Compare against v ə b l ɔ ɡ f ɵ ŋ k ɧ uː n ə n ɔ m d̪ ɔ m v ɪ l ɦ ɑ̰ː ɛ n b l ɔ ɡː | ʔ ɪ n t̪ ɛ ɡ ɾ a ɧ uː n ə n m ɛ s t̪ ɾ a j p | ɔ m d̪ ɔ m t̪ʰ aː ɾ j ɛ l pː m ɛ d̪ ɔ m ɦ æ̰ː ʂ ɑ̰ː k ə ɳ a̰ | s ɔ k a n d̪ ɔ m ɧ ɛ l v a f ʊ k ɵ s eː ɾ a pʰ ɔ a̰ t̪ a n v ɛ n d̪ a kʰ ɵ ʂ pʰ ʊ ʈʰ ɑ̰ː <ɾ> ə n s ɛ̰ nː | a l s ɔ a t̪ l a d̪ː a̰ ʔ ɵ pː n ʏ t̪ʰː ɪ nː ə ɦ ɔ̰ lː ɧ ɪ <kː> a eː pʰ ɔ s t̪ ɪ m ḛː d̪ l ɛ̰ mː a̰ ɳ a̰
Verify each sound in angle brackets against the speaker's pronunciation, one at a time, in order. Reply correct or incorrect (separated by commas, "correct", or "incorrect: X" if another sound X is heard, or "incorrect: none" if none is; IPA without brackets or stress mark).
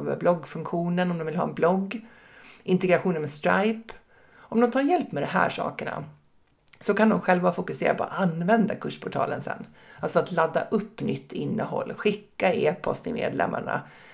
incorrect: l, correct